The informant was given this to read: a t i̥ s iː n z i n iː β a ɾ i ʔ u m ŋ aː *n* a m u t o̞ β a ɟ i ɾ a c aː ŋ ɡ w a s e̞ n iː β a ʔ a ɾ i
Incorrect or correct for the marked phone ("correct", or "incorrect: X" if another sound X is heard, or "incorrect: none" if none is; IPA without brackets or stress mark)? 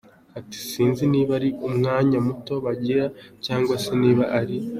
incorrect: ɲ